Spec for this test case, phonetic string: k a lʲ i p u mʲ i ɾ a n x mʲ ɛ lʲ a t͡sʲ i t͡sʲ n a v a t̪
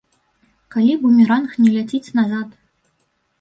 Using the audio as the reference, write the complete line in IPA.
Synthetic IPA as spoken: k a lʲ i b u mʲ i ɾ a n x nʲ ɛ lʲ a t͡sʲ i t͡sʲ n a z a t̪